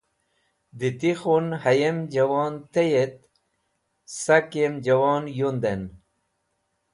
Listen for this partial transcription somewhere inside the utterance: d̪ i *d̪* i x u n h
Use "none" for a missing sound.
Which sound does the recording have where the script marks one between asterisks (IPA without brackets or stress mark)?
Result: t̪